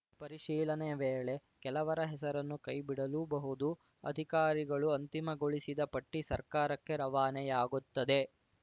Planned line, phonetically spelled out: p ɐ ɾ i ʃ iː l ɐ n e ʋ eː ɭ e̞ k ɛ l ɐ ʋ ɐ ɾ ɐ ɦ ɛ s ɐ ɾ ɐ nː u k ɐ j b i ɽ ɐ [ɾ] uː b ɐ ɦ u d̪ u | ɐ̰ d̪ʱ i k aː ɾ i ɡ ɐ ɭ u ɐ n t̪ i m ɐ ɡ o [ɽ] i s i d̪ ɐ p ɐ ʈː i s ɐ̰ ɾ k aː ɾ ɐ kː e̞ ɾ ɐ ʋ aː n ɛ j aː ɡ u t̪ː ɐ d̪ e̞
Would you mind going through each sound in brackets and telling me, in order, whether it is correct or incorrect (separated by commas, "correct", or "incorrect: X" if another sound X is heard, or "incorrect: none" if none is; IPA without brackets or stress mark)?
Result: incorrect: l, incorrect: ɭ